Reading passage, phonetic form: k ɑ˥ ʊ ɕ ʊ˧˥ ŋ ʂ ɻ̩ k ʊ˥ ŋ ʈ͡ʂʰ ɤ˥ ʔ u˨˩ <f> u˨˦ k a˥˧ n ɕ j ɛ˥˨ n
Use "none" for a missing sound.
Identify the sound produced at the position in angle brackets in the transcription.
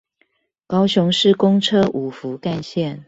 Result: f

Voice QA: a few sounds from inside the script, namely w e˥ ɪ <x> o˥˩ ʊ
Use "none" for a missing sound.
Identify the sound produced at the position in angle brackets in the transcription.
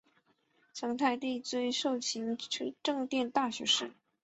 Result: ʂ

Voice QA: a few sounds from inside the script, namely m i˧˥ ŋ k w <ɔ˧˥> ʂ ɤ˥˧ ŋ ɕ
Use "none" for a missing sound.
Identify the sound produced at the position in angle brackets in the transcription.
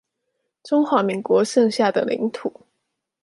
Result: ɔ˧˥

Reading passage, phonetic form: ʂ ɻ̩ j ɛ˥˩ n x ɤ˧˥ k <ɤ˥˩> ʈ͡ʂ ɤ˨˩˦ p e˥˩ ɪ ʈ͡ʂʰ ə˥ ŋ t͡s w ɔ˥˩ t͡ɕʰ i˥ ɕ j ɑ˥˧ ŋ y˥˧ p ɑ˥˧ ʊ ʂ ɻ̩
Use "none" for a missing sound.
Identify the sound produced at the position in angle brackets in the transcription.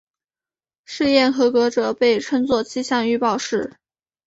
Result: ɤ˧˥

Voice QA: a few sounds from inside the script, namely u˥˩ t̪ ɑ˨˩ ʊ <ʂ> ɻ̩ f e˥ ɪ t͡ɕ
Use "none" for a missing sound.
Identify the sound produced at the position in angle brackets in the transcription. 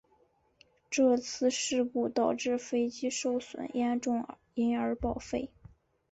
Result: ʈ͡ʂ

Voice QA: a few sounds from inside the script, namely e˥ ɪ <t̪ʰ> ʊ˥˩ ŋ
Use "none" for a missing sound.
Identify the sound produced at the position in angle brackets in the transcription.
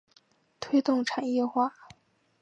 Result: t̪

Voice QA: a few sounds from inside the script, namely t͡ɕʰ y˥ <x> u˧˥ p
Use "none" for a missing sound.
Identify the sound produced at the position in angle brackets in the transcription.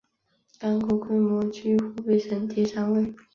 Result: x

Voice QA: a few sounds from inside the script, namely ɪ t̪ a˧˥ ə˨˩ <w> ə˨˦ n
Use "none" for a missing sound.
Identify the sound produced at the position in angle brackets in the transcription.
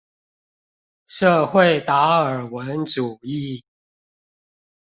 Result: w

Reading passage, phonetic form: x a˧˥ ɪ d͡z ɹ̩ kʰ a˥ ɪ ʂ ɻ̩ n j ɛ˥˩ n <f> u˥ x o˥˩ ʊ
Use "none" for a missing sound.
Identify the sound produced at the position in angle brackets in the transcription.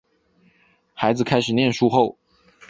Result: ʂ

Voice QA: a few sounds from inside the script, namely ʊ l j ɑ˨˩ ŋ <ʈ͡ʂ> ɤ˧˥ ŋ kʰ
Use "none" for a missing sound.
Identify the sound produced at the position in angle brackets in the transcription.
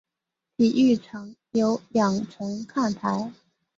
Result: ʈ͡ʂʰ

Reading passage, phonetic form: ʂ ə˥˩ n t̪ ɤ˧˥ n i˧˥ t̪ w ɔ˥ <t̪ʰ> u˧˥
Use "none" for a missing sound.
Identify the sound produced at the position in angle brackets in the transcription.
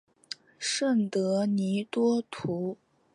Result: t̪ʰ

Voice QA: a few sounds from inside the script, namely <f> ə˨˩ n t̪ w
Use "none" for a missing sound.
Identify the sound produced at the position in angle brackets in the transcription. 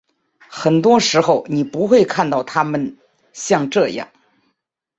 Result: x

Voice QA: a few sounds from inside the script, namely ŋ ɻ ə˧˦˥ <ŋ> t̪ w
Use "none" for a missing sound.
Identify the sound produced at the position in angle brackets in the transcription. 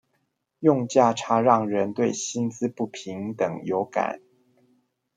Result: n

